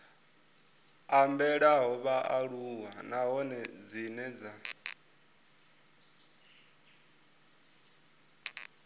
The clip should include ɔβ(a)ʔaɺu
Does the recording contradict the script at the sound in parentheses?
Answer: no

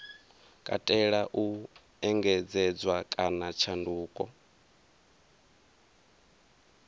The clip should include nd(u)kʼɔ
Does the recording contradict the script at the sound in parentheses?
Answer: yes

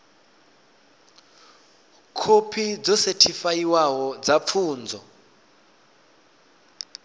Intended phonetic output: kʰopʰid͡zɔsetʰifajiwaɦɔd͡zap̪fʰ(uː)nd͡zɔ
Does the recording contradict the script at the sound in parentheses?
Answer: no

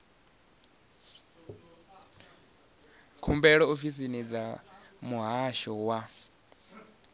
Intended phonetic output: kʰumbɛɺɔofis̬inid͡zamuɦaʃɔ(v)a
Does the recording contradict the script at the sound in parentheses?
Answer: yes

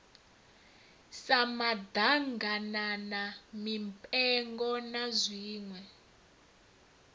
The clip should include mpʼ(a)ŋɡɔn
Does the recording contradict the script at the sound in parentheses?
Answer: yes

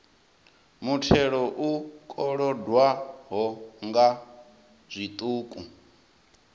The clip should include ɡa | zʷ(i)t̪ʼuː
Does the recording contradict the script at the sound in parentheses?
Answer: no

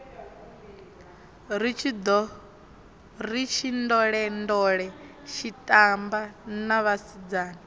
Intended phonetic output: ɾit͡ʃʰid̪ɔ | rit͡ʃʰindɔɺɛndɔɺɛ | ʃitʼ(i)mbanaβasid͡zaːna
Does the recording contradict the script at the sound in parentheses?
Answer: yes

